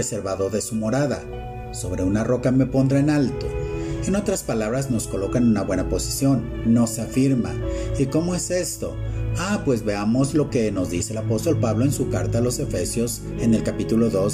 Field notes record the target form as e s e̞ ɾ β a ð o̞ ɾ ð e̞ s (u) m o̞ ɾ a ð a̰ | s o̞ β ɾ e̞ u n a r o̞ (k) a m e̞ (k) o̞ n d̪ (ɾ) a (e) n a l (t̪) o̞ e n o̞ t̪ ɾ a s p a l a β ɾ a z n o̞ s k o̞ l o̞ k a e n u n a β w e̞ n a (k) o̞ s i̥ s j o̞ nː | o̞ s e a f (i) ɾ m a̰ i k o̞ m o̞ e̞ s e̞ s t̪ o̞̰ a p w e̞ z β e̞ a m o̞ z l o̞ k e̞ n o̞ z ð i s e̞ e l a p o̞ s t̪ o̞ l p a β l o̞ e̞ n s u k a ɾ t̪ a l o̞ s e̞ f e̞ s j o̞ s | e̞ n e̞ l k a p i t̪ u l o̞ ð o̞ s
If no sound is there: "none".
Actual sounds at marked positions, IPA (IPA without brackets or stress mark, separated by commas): u, k, p, ɾ, e, t̪, p, i